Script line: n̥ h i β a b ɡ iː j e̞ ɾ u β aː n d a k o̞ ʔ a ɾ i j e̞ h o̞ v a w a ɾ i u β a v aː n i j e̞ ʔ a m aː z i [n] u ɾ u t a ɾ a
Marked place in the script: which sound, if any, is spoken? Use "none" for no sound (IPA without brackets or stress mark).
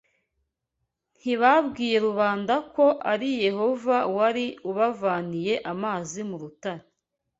m